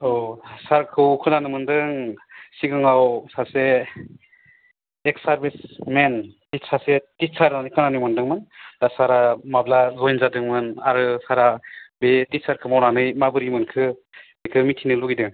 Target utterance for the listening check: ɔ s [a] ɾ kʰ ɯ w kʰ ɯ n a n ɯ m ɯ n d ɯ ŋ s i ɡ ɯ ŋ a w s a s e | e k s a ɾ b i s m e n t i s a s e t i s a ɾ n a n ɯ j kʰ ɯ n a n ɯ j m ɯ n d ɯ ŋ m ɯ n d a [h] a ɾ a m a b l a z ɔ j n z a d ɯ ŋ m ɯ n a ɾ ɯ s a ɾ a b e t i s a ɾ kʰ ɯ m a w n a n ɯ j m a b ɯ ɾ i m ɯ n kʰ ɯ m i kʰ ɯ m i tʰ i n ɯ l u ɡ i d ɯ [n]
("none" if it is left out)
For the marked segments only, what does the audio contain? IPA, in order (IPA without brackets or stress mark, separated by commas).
a, s, ŋ